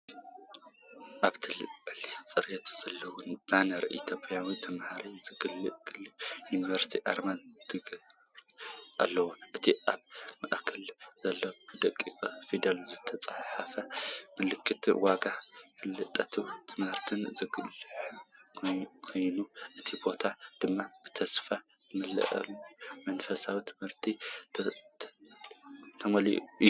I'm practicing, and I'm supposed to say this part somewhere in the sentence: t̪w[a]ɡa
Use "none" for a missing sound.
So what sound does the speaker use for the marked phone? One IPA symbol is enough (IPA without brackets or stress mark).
a